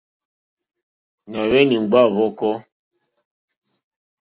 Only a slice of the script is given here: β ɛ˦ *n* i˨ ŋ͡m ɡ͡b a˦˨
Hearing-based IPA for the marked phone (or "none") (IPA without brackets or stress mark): n